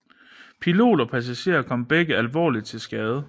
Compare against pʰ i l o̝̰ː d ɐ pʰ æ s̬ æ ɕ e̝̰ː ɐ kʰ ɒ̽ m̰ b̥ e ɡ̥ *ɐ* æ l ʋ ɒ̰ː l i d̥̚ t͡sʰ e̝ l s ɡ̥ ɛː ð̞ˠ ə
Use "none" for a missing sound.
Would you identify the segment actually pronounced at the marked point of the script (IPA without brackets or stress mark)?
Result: ə